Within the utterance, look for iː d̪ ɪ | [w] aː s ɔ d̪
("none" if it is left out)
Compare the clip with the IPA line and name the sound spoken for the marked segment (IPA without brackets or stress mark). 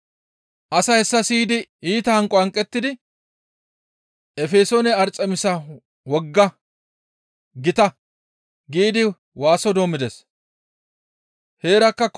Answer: w